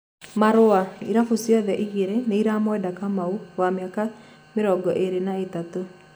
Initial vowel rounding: unrounded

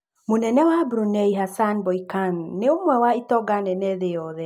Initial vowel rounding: rounded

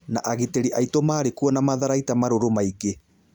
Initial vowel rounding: unrounded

